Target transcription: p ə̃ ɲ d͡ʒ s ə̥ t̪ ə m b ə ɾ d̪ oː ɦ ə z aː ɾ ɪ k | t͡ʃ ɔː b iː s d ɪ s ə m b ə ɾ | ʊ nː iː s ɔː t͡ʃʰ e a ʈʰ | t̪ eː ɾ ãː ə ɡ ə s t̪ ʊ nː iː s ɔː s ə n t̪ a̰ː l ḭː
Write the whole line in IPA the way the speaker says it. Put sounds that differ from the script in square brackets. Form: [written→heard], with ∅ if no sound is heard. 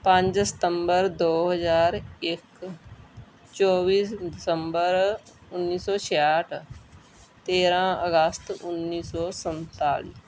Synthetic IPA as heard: p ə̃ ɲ d͡ʒ s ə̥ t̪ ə m b ə ɾ d̪ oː ɦ ə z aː ɾ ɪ k | t͡ʃ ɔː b iː s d ɪ s ə m b ə ɾ | ʊ nː iː s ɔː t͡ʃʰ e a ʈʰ | t̪ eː ɾ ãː ə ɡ ə s t̪ ʊ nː iː s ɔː s ə n t̪ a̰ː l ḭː